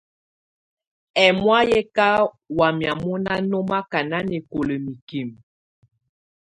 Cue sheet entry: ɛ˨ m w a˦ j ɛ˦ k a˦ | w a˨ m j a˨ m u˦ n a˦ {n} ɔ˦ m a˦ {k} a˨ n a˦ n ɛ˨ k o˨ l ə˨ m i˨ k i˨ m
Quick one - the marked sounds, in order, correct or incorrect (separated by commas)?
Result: correct, correct